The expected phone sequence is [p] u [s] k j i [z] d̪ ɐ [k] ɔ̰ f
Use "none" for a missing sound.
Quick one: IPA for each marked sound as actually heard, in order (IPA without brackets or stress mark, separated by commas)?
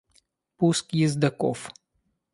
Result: p, s, z, k